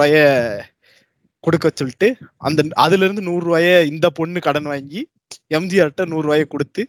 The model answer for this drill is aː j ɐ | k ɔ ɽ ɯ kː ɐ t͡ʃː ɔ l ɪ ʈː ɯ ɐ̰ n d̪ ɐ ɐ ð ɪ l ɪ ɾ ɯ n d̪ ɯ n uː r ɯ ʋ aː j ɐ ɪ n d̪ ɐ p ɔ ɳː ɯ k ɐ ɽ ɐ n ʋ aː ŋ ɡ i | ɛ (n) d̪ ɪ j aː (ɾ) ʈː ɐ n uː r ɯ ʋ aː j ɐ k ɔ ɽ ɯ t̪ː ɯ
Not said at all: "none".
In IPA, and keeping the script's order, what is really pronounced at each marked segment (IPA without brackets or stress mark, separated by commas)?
m, ɾ